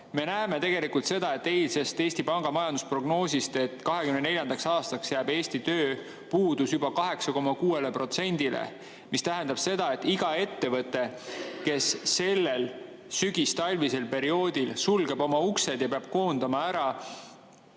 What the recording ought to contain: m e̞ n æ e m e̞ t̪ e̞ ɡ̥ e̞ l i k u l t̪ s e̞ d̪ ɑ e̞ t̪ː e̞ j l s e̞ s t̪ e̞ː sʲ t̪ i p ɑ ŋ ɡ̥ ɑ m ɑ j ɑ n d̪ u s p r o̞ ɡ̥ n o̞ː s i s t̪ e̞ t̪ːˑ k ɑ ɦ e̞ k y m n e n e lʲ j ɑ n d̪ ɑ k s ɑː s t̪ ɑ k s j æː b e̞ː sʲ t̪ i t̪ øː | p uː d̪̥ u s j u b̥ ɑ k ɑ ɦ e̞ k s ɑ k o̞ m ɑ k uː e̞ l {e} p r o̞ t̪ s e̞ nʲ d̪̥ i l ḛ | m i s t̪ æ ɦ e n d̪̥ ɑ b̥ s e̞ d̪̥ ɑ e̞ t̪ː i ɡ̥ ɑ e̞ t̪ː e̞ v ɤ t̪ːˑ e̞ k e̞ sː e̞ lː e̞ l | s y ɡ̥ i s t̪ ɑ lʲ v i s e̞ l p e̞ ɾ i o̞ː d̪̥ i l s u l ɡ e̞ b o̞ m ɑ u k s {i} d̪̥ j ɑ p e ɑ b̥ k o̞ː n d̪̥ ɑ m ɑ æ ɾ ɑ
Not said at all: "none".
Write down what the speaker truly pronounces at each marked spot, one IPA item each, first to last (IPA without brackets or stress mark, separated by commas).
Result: e, e